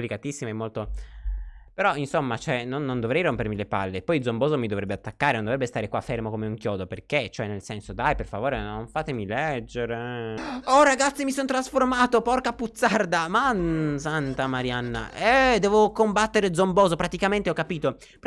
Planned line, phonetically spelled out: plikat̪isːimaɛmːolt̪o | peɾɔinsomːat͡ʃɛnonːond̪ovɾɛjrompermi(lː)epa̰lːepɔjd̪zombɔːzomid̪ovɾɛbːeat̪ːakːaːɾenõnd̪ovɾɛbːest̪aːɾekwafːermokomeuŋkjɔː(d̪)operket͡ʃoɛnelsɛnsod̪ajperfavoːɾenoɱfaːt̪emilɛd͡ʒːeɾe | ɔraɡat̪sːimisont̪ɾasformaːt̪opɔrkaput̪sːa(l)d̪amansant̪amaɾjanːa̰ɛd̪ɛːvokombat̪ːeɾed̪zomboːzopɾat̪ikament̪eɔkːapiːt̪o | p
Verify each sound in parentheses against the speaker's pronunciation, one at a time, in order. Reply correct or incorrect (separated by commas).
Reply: incorrect, correct, incorrect